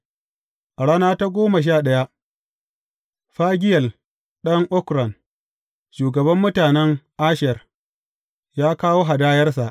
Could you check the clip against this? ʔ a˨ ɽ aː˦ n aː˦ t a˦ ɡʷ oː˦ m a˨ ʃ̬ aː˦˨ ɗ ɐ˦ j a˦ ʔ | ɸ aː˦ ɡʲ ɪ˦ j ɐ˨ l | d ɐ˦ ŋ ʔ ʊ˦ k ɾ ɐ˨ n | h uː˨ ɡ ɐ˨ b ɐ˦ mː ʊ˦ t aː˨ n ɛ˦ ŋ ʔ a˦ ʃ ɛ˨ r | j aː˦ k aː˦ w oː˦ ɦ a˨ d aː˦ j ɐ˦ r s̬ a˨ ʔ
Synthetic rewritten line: ʔ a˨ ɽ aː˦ n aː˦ t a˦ ɡʷ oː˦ m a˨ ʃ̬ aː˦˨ ɗ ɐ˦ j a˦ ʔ | ɸ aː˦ ɡʲ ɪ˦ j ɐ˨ l | ɗ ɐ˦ ŋ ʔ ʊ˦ k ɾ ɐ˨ n | ʃ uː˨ ɡ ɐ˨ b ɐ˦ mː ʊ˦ t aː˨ n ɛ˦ ŋ ʔ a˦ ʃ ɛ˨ r | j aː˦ k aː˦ w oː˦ ɦ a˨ d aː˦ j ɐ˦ r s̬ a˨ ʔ